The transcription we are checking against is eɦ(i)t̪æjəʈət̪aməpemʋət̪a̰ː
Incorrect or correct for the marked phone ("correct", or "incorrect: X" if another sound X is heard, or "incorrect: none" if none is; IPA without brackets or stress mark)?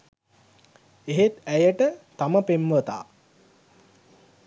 incorrect: e